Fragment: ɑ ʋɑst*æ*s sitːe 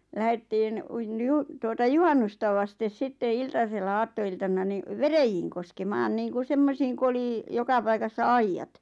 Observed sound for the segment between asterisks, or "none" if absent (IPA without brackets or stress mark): e